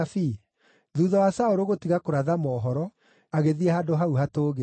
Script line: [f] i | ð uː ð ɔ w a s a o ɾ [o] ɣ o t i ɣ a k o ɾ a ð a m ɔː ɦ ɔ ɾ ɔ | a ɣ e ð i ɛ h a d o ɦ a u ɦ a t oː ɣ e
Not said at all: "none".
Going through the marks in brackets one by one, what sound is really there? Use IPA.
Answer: f, o

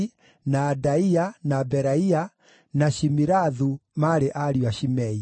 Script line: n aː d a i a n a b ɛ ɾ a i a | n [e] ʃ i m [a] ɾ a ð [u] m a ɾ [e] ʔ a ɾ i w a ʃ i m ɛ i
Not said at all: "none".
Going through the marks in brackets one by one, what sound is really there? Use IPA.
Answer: a, i, u, e

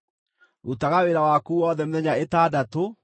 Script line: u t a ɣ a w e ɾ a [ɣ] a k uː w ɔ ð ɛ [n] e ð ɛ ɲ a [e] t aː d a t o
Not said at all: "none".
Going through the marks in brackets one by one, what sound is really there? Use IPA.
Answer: w, m, e

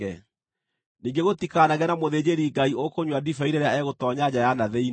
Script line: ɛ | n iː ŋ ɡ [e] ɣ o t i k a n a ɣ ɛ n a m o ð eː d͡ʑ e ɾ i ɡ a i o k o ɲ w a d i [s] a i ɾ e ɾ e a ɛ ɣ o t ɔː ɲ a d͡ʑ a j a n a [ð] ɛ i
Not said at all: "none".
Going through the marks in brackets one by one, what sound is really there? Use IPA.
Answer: e, f, ð

